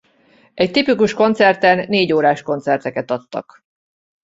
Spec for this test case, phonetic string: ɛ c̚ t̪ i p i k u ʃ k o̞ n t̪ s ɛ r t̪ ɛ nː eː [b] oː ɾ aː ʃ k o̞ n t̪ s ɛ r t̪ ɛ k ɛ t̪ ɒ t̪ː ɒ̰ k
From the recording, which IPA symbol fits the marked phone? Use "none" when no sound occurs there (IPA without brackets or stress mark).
ɟ